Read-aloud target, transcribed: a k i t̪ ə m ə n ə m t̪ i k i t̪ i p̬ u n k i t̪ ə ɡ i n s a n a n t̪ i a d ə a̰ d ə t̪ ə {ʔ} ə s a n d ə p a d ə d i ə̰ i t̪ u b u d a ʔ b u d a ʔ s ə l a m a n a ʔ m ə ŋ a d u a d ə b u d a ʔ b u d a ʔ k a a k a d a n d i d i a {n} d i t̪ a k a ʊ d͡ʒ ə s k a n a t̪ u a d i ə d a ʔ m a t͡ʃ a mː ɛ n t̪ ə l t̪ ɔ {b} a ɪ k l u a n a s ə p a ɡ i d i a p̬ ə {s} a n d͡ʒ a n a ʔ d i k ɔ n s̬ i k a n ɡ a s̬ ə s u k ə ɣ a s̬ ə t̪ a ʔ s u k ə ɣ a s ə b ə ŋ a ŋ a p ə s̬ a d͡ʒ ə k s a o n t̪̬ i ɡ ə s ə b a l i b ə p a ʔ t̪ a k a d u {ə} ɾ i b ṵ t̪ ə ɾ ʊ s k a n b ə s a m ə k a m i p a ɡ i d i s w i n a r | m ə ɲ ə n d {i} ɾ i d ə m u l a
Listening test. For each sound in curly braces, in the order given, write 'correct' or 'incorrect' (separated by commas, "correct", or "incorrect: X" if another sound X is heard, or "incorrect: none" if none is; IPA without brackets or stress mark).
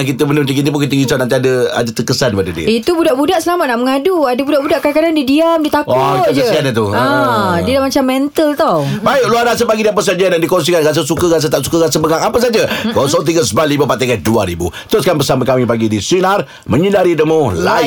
incorrect: k, incorrect: m, correct, correct, incorrect: a, incorrect: a